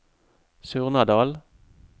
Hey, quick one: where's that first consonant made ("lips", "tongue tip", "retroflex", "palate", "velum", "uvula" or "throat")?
tongue tip